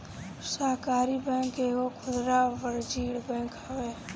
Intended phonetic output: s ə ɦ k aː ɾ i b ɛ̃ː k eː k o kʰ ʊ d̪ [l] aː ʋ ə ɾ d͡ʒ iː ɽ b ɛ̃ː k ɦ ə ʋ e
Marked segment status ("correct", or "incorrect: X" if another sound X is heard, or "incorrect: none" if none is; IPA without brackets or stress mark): incorrect: ɾ